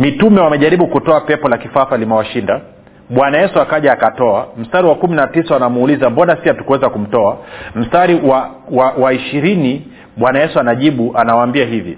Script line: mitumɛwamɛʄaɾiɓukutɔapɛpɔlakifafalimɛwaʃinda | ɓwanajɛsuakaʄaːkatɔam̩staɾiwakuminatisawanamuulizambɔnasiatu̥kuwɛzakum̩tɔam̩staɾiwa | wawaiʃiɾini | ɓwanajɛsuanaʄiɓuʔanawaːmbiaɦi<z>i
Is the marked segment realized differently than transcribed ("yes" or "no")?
yes